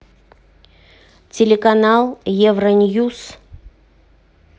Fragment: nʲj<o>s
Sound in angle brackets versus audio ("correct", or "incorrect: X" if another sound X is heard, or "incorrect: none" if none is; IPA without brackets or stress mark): incorrect: u